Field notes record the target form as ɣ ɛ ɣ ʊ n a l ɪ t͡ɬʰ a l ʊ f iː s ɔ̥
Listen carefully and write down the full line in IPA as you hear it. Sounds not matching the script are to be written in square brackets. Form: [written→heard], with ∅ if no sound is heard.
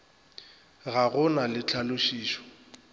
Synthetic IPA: ɣ [ɛ→a] ɣ ʊ n a l ɪ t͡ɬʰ a l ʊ [f→ʃ] iː [s→ʃ] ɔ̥